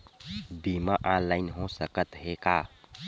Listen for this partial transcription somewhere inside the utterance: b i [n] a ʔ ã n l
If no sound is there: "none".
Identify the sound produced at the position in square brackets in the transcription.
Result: m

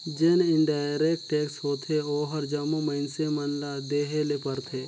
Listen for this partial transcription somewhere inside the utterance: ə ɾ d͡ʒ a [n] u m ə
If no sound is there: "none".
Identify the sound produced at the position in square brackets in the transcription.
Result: m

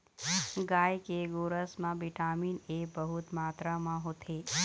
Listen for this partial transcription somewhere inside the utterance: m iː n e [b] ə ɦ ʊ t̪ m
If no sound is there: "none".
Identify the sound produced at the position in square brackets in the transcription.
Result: b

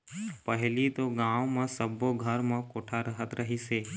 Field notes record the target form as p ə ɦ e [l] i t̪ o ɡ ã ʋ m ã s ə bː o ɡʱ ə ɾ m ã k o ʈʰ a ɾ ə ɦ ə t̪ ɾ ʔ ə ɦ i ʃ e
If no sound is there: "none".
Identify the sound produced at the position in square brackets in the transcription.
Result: l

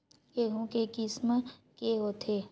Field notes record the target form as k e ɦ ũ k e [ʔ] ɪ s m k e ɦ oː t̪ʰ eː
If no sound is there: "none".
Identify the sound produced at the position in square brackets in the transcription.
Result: k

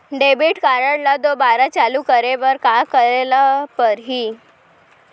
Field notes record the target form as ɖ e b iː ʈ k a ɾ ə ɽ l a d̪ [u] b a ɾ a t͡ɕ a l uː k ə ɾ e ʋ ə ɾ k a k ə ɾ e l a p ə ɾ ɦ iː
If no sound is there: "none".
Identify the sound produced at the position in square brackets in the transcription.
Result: o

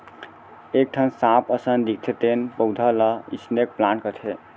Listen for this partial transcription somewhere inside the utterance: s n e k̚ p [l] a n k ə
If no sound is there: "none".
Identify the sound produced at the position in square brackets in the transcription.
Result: l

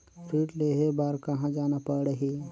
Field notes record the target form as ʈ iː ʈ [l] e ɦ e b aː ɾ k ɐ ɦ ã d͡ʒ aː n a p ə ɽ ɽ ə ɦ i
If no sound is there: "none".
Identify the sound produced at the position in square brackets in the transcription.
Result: l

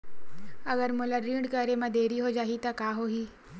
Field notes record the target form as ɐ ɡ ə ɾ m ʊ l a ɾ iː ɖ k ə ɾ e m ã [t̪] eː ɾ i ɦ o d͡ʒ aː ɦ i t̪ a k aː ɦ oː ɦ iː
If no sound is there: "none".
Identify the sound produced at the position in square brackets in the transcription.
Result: d̪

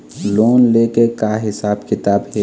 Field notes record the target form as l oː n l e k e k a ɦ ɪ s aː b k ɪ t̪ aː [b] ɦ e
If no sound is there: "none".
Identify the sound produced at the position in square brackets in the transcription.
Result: b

